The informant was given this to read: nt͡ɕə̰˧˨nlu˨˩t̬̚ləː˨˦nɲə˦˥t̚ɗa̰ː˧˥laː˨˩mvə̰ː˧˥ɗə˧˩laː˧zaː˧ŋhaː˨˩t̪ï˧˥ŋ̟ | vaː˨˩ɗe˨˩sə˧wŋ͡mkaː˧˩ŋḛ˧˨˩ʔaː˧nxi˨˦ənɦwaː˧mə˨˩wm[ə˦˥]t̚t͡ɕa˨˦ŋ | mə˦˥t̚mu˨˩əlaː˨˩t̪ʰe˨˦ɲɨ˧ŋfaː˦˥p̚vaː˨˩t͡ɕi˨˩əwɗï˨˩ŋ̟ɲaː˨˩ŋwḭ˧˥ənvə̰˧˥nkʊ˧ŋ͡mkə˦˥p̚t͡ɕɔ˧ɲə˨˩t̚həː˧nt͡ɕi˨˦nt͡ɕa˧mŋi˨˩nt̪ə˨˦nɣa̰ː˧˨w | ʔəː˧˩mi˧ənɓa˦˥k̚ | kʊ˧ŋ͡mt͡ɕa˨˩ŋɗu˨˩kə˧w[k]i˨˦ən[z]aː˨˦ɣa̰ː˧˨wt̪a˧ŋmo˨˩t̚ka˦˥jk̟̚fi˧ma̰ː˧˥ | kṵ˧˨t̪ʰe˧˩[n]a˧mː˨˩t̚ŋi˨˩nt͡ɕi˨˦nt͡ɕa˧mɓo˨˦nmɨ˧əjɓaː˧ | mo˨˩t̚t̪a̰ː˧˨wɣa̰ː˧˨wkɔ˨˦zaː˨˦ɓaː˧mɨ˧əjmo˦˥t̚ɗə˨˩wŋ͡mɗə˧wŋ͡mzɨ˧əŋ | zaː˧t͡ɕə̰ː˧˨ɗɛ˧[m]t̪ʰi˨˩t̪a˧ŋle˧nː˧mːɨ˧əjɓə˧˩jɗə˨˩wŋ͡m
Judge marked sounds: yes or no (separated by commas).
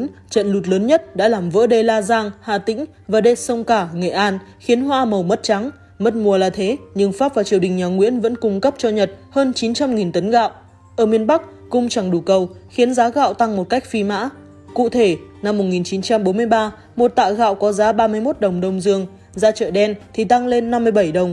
yes, no, yes, yes, no